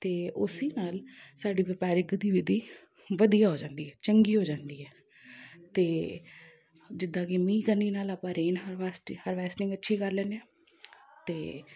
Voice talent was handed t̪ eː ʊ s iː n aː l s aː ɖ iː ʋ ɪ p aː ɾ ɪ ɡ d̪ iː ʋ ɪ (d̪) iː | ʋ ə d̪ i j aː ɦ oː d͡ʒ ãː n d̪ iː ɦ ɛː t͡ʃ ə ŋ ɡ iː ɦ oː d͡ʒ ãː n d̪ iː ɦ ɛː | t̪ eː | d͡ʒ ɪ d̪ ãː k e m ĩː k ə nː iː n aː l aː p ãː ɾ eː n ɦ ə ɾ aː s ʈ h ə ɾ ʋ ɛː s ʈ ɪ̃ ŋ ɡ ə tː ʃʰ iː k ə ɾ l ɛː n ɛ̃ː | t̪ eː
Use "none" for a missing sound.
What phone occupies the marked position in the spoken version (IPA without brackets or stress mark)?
d̪